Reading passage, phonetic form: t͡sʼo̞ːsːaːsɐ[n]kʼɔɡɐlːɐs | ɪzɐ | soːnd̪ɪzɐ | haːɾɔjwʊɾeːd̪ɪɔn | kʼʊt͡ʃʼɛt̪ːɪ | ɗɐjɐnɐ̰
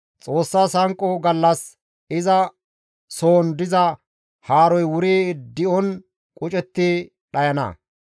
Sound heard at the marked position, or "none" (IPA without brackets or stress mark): ŋ